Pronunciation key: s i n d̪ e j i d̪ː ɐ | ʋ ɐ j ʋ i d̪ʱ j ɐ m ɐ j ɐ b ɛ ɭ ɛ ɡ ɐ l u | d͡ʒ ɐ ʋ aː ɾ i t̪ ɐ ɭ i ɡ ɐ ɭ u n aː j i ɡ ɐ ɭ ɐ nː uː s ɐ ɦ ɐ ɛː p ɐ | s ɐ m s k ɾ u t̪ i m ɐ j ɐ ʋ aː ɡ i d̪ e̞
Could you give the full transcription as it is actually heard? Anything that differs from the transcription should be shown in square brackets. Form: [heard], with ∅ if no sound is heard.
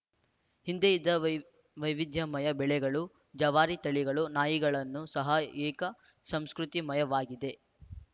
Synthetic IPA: [h] i n d̪ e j i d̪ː ɐ | ʋ ɐ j ʋ i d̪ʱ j ɐ m ɐ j ɐ b ɛ ɭ ɛ ɡ ɐ [ɭ] u | d͡ʒ ɐ ʋ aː ɾ i t̪ ɐ ɭ i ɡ ɐ ɭ u n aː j i ɡ ɐ ɭ ɐ nː [u] s ɐ ɦ ɐ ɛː [k] ɐ | s ɐ m s k ɾ u t̪ i m ɐ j ɐ ʋ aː ɡ i d̪ e̞